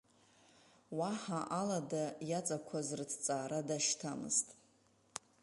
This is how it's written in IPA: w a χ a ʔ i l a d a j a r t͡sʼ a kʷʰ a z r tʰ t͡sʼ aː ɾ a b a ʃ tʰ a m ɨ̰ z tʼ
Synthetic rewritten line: w a ħ a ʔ a l a d a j a t͡sʼ a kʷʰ a z r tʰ t͡sʼ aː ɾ a d a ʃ tʰ a m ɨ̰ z tʼ